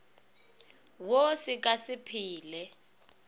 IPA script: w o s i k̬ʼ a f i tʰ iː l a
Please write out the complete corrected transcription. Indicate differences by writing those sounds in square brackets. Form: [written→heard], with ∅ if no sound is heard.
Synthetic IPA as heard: w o s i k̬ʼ a [f→s] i [tʰ→pʰ] iː l [a→ɛ]